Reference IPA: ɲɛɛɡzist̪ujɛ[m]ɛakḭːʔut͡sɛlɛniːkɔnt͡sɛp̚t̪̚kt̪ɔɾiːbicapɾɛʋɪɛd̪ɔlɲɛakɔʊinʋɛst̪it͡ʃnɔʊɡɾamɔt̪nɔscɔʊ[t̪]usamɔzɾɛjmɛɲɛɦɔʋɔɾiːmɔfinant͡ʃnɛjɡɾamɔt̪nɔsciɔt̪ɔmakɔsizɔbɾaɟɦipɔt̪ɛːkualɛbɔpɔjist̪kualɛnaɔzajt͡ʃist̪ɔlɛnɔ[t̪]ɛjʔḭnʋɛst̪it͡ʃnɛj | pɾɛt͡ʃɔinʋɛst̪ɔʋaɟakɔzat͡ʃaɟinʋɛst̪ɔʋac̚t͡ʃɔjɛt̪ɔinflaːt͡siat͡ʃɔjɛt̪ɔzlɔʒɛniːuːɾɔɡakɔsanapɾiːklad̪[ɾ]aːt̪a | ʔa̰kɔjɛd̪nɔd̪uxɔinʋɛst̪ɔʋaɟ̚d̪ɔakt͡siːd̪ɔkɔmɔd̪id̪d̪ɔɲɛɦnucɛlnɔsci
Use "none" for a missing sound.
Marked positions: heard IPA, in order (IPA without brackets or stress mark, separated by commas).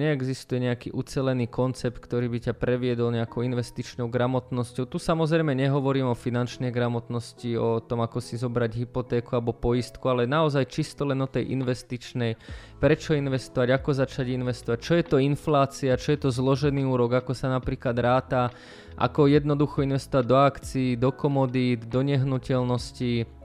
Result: ɲ, t̪, t̪, ɾ